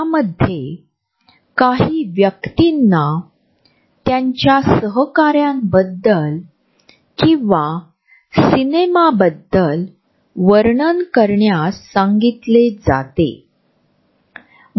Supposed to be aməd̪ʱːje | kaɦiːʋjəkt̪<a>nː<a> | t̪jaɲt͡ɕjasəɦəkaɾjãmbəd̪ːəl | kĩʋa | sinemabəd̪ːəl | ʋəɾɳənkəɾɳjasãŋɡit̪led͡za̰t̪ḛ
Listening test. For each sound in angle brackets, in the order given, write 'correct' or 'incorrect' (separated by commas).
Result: incorrect, correct